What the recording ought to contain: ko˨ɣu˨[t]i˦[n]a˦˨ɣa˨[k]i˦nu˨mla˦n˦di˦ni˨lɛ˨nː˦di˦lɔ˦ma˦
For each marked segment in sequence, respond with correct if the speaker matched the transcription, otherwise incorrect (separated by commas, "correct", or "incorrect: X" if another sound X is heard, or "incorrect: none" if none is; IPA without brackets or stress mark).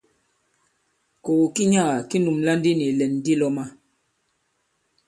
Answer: incorrect: k, incorrect: ɲ, correct